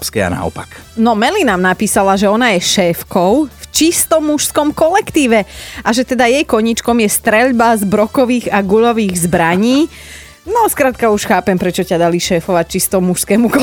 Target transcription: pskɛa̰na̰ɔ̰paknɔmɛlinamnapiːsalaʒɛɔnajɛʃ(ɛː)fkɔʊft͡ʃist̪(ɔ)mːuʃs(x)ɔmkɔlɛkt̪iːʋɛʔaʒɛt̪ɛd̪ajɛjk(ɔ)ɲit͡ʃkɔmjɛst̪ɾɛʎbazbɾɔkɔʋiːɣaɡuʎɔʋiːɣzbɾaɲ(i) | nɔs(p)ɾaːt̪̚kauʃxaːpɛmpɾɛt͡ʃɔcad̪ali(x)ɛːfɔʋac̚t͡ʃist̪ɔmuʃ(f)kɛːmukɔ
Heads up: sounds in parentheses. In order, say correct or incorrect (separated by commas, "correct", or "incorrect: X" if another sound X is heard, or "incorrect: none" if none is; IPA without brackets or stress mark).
correct, correct, incorrect: k, correct, incorrect: iː, incorrect: k, incorrect: ʃ, incorrect: s